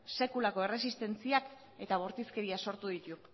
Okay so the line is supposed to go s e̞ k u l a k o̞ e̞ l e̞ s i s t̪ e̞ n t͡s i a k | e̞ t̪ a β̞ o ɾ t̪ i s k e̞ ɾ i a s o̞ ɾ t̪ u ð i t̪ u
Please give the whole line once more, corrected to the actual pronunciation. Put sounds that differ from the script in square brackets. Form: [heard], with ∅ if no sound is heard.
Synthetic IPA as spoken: s e̞ k u l a k o̞ e̞ [r] e̞ s i s t̪ e̞ n t͡s i a k | e̞ t̪ a β̞ o ɾ t̪ i s k e̞ ɾ i a s o̞ ɾ t̪ u ð i t̪ u